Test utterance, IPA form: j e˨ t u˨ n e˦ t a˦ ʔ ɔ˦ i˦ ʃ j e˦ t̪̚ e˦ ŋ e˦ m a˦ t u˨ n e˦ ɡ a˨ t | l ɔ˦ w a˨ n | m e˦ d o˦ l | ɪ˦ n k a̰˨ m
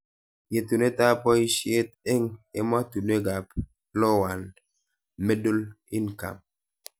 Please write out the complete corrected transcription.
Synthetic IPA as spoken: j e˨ t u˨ n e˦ t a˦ p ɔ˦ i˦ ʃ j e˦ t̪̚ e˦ ŋ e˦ m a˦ t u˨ n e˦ ɡ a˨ p | l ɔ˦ w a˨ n | m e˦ d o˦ l | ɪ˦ n k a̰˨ m